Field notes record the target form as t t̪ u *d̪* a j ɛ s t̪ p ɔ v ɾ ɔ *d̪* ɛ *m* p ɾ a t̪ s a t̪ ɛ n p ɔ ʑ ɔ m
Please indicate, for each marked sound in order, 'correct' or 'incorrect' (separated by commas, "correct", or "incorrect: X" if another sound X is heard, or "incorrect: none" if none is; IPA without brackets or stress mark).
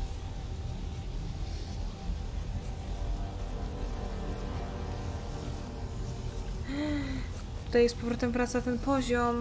incorrect: t̪, incorrect: t̪, correct